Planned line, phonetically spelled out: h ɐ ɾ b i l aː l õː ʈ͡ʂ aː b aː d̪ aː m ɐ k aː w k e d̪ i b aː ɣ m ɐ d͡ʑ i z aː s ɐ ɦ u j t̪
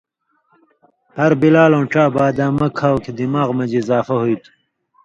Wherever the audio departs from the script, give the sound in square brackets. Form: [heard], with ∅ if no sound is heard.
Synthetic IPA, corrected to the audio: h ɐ ɾ b i l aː l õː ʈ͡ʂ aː b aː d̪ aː m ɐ [kʰ] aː w k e d̪ i [m] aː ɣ m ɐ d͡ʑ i z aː [f] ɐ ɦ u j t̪